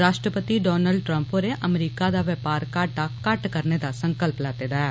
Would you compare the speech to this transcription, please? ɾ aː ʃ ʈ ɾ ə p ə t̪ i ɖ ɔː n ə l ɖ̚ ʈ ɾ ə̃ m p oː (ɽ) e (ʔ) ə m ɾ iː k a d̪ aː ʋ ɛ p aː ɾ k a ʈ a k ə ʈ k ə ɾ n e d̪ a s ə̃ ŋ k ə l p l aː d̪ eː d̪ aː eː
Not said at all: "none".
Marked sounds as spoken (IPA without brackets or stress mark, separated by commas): ɾ, ʔ